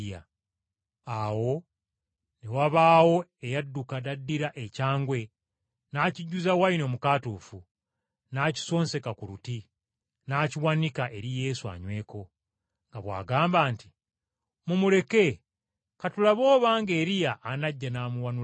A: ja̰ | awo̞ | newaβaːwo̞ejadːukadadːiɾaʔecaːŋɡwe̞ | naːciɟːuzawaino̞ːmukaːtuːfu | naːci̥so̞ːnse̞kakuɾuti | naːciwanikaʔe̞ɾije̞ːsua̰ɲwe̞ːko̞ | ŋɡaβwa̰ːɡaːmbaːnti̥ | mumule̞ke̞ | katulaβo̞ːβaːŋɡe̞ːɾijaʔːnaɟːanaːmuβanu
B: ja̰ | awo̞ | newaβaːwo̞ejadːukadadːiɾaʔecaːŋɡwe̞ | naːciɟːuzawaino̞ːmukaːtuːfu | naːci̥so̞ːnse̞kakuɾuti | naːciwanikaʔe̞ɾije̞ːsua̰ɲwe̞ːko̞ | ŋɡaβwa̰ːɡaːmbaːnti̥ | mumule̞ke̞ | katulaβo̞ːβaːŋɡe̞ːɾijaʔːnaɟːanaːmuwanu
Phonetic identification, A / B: B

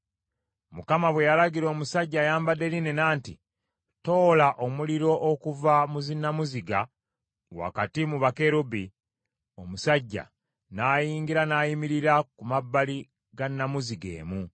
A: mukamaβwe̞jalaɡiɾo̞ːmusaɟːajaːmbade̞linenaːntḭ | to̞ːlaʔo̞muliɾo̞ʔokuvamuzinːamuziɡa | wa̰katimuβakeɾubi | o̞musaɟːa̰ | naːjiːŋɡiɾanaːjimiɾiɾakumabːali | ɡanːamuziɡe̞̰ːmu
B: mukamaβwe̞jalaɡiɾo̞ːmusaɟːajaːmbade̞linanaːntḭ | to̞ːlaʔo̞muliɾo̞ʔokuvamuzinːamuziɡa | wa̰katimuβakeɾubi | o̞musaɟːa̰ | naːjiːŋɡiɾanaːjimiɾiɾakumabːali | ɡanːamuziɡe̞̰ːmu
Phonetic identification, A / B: A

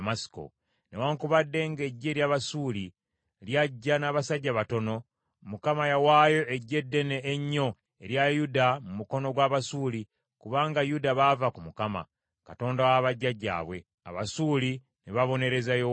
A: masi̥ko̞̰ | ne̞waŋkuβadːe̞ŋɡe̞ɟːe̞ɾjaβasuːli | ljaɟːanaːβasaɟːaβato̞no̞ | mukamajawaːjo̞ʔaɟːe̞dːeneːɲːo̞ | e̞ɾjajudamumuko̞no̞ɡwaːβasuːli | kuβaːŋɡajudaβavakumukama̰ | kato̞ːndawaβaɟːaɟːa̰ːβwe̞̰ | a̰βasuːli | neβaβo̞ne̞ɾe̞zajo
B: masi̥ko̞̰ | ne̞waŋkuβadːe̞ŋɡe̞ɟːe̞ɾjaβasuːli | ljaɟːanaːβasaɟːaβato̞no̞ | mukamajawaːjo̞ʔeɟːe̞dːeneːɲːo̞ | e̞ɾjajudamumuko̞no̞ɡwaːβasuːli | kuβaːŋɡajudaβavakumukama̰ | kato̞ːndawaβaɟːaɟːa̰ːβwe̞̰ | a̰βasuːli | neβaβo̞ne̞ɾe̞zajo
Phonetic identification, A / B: B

